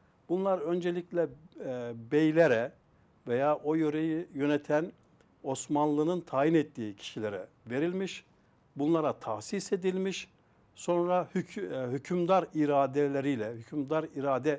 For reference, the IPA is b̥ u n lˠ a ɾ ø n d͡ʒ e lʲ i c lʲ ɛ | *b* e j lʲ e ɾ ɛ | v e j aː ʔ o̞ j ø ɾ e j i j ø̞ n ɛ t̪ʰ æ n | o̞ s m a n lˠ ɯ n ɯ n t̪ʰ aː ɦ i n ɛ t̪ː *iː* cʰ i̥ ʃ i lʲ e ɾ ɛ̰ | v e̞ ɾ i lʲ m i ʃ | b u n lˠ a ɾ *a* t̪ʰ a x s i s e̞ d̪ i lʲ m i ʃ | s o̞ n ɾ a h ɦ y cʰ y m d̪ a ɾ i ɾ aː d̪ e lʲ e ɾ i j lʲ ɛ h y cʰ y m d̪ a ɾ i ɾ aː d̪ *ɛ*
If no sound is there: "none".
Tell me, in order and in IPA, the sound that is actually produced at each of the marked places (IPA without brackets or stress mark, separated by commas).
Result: b, iː, a, ɛ